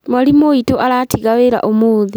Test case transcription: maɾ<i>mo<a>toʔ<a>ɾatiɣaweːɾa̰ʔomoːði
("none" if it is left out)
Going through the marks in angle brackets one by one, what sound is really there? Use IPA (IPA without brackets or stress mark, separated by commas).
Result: i, i, a